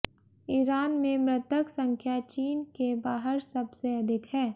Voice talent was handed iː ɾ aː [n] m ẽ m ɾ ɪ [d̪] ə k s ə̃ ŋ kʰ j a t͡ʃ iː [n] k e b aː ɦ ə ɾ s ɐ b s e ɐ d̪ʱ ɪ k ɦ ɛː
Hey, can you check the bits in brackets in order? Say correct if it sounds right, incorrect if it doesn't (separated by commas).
correct, incorrect, correct